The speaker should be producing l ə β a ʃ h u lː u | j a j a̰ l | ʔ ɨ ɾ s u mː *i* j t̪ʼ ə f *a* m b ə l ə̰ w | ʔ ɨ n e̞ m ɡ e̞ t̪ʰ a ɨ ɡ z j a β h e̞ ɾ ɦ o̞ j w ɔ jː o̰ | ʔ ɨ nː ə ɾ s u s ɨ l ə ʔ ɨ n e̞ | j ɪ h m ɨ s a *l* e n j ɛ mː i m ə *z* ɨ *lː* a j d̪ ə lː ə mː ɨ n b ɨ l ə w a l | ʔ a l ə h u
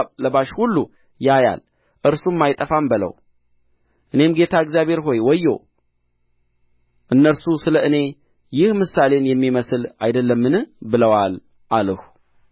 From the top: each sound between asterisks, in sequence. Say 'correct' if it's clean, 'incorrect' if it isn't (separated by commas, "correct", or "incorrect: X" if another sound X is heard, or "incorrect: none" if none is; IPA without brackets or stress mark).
incorrect: a, correct, correct, incorrect: s, incorrect: l